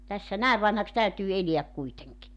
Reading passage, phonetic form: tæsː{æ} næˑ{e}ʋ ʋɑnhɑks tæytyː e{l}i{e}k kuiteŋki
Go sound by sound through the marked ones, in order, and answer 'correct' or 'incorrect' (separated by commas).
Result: correct, correct, correct, incorrect